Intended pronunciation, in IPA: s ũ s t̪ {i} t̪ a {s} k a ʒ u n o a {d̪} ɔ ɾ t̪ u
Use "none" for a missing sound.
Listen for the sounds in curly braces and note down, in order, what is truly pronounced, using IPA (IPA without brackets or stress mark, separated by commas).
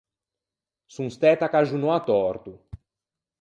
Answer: ɛ, none, t̪